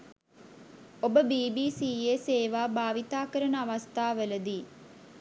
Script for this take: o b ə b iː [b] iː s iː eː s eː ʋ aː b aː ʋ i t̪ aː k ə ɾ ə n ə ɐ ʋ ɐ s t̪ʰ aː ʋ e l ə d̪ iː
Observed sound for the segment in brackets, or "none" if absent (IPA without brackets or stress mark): b